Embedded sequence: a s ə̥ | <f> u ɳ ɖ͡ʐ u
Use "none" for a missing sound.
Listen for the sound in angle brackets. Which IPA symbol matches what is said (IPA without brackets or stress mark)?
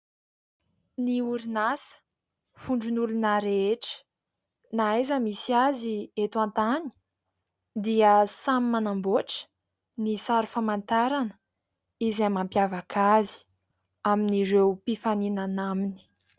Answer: f